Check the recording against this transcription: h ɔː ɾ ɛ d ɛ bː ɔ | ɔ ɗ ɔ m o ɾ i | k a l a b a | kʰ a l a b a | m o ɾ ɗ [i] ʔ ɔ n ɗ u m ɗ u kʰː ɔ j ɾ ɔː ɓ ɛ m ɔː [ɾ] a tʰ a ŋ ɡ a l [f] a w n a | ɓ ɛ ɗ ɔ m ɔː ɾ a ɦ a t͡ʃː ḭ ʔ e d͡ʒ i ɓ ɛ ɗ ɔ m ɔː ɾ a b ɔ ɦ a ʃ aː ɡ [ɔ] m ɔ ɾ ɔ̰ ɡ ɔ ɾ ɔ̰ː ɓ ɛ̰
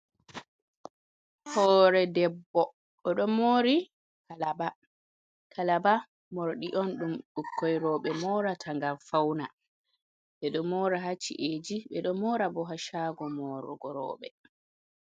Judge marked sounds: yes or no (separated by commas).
yes, yes, yes, yes